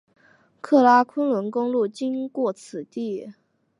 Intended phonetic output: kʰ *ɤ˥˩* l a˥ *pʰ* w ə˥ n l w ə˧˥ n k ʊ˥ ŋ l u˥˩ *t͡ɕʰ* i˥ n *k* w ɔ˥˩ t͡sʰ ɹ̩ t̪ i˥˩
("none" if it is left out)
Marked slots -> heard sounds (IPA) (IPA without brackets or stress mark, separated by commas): ɤ˥˩, kʰ, t͡ɕ, k